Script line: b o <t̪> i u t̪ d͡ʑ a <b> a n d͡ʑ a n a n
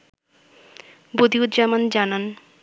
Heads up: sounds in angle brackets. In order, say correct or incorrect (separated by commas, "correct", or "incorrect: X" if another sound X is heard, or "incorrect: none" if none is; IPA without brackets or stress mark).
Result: incorrect: d̪, incorrect: m